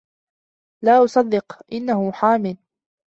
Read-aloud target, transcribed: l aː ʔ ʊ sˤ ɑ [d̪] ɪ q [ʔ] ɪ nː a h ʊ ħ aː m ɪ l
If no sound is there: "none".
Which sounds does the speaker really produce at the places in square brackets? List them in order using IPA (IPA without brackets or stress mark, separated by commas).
d̪ː, ʔ